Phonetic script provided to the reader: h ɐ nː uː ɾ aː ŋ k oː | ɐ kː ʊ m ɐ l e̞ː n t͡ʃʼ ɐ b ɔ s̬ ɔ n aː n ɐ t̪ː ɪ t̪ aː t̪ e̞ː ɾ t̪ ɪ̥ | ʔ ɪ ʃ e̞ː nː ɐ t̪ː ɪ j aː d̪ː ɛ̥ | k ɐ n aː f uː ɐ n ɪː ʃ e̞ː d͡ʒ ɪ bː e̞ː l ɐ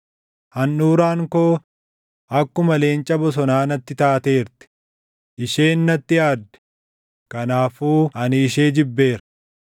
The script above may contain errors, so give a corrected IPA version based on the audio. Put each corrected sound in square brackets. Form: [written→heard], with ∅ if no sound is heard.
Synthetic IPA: h ɐ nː uː ɾ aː ŋ k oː | ɐ kː ʊ m ɐ l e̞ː n t͡ʃʼ ɐ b ɔ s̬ ɔ n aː n ɐ t̪ː ɪ t̪ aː t̪ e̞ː ɾ t̪ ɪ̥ | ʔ ɪ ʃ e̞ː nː ɐ t̪ː ɪ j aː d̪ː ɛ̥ | k ɐ n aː f uː ɐ n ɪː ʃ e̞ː d͡ʒ ɪ bː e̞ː [l→ɾ] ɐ